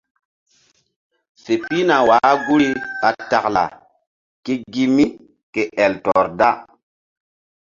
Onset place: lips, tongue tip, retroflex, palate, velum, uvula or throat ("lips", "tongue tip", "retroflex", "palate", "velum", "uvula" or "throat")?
tongue tip